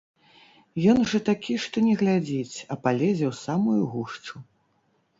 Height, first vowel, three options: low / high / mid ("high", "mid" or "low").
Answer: mid